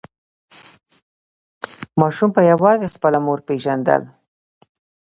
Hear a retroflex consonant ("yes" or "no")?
no